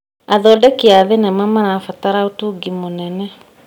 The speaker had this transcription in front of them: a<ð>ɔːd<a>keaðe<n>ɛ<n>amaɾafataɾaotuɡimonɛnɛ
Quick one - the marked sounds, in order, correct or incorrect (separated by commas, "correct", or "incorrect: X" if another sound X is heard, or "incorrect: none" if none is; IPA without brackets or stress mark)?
correct, incorrect: ɛ, correct, incorrect: m